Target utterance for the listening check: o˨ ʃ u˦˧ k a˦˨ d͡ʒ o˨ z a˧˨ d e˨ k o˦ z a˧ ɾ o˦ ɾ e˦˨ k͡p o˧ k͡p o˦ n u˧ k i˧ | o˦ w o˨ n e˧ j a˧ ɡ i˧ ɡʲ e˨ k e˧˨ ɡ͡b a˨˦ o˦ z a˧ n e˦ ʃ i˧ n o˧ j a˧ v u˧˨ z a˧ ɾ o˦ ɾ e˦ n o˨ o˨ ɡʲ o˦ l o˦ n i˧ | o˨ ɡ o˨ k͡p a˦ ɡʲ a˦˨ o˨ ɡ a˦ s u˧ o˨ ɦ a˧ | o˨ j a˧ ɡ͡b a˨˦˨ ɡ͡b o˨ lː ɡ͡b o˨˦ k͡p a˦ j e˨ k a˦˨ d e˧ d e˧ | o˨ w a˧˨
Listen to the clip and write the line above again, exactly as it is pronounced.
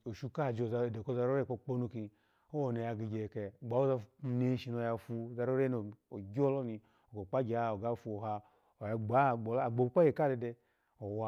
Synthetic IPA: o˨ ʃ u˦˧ k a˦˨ d͡ʒ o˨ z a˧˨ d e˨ k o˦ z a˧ ɾ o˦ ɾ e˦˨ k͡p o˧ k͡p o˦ n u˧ k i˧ | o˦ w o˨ n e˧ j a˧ ɡ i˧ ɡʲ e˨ k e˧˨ ɡ͡b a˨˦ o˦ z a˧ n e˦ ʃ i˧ n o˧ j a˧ f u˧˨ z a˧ ɾ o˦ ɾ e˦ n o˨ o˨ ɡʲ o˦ l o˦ n i˧ | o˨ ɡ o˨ k͡p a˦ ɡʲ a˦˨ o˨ ɡ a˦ f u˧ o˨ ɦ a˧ | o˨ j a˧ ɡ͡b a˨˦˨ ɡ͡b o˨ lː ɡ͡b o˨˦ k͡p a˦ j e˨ k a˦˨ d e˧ d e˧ | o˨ w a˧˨